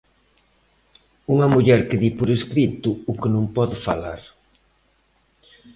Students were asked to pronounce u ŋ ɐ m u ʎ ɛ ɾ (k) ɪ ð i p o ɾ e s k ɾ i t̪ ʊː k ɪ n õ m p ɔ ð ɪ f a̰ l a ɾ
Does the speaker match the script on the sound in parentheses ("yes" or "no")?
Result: yes